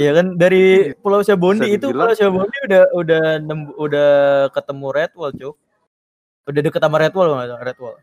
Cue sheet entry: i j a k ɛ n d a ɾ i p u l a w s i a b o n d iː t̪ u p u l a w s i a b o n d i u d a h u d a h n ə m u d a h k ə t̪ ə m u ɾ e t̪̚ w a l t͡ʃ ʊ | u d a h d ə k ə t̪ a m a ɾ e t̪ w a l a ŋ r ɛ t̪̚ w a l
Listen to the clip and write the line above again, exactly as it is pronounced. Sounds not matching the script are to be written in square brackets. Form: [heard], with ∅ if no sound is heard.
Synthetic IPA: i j a k [a] n d a ɾ i p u l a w s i a b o n d iː t̪ u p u l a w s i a b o n d i u d a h u d a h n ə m u d a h k ə t̪ ə m u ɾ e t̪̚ w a l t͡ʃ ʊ | u d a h d ə k ə t̪ a m a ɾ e t̪ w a l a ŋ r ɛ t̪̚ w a l